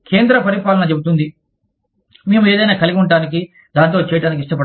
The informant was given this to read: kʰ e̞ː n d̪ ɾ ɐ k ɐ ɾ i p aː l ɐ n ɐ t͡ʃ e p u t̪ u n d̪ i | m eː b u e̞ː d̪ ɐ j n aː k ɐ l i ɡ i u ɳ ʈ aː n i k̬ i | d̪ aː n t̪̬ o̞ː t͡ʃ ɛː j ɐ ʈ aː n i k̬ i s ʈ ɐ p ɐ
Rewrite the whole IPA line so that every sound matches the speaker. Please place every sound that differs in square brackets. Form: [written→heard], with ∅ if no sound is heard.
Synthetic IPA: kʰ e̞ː n d̪ ɾ ɐ [k→p] ɐ ɾ i p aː l ɐ n ɐ t͡ʃ e [p→b] u t̪ u n d̪ i | m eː [b→m] u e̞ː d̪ ɐ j n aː k ɐ l i ɡ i u ɳ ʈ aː n i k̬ i | d̪ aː n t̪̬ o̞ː t͡ʃ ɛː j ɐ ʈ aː n i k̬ i [s→ʂ] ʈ ɐ p ɐ